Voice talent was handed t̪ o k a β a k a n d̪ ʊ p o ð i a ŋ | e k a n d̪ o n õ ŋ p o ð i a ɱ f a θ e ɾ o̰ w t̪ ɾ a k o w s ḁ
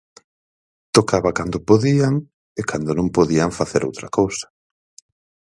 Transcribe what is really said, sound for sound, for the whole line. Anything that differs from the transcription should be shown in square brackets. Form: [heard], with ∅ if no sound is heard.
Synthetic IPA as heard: t̪ o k a β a k a n d̪ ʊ p o ð i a ŋ | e k a n d̪ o n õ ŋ p o ð i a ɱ f a θ e ɾ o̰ w t̪ ɾ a k o w s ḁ